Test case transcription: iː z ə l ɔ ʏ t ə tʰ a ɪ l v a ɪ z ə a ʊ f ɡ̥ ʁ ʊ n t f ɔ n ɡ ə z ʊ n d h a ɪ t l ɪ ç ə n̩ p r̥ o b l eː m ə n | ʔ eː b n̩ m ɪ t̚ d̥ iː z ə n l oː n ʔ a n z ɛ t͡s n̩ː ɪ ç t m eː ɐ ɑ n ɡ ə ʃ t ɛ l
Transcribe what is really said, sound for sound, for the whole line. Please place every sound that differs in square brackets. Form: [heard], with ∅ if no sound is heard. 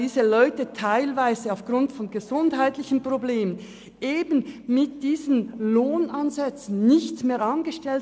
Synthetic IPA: iː z ə l ɔ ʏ t ə tʰ a ɪ l v a ɪ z ə a ʊ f ɡ̥ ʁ ʊ n t f ɔ n ɡ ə z ʊ n d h a ɪ t l ɪ ç ə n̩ p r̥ o b l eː m ə n | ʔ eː b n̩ m ɪ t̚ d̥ iː z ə n l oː n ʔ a n z ɛ t͡s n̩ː ɪ ç t m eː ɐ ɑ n ɡ ə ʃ t ɛ l